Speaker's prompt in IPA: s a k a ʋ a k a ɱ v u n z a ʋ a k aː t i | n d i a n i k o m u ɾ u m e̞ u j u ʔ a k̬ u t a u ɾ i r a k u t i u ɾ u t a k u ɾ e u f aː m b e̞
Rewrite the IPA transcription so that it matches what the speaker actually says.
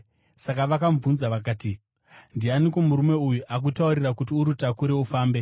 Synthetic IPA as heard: s a k a ʋ a k a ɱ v u n z a ʋ a k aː t i | n d i a n i k o m u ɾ u m e̞ u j u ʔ a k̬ u t a u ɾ i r a k u t i u ɾ u t a k u ɾ e u f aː m b e̞

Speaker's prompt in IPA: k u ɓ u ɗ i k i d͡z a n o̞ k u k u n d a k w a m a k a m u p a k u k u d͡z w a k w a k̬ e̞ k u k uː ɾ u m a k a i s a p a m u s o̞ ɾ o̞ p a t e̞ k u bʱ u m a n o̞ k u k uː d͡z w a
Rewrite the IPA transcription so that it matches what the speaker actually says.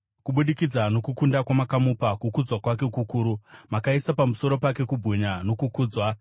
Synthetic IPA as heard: k u ɓ u ɗ i k i d͡z a n o̞ k u k u n d a k w a m a k a m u p a k u k u d͡z w a k w a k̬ e̞ k u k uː ɾ u m a k a i s a p a m u s o̞ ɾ o̞ p a k e̞ k u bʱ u ɲ a n o̞ k u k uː d͡z w a

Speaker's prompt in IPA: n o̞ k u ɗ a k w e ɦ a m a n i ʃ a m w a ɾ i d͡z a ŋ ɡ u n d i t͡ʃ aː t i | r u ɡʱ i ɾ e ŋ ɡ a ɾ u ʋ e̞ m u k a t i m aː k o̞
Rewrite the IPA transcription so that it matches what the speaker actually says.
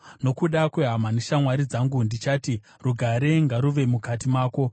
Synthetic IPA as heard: n o̞ k u ɗ a k w e ɦ a m a n i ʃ a m w a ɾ i d͡z a ŋ ɡ u n d i t͡ʃ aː t i | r u ɡʱ a ɾ e ŋ ɡ a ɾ u ʋ e̞ m u k a t i m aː k o̞

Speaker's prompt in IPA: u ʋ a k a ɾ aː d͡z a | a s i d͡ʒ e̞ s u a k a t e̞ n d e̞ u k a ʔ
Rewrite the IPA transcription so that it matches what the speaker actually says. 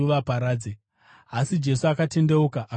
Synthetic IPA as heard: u ʋ a p a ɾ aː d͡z e | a s i d͡ʒ e̞ s u a k a t e̞ n d e̞ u k a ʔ

